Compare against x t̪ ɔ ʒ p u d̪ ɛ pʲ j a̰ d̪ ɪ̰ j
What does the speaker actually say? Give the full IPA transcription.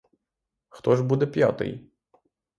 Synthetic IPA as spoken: x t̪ ɔ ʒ b u d̪ ɛ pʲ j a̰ t̪ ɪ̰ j